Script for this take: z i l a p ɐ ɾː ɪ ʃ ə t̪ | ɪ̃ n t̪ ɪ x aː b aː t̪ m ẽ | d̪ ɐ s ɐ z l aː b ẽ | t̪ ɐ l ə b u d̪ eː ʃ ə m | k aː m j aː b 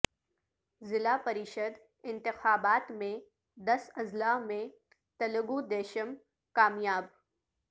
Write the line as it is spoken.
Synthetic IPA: z ɪ l a p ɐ ɾ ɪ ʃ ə d̪ | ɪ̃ n t̪ ɪ x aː b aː t̪ m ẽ | d̪ ɐ s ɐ z l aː m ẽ | t̪ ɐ l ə ɡ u d̪ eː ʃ ə m | k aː m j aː b